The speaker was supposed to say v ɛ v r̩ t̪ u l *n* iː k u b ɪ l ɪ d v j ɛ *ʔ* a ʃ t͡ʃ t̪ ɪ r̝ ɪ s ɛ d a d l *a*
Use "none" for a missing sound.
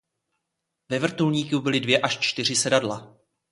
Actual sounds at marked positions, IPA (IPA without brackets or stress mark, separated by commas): ɲ, ʔ, a